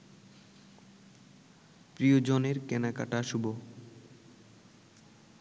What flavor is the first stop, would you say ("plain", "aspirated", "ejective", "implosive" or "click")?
plain